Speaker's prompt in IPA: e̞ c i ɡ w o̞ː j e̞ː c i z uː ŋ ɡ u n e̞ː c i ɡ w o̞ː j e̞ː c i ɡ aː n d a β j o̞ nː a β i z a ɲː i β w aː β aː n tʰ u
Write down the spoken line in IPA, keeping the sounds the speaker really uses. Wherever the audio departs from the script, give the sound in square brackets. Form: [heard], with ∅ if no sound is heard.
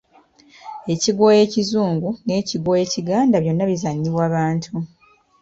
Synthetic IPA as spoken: e̞ c i ɡ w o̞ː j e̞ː c i z uː ŋ ɡ u n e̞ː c i ɡ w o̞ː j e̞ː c i ɡ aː n d a β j o̞ nː a β i z a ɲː i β w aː β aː n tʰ u